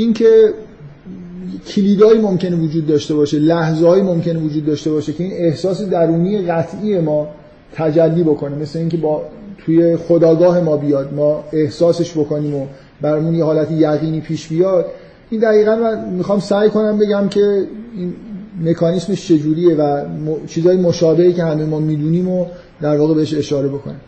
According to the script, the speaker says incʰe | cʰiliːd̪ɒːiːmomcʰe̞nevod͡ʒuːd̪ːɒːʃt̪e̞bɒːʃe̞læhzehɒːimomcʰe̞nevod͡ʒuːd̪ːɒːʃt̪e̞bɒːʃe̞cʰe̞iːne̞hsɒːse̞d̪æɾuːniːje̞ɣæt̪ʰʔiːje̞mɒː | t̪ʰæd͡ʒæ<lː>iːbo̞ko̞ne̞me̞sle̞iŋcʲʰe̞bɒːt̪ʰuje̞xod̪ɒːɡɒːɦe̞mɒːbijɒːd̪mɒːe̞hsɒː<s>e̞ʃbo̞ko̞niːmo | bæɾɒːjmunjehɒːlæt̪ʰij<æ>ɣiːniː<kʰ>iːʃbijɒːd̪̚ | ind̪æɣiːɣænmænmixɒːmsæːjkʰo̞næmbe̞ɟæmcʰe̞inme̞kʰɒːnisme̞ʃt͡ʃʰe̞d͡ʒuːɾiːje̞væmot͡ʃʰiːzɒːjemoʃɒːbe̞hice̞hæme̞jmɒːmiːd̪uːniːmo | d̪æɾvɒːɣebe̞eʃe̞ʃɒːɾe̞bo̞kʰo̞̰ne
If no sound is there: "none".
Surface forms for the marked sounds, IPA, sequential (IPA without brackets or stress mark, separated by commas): lː, s, æ, pʰ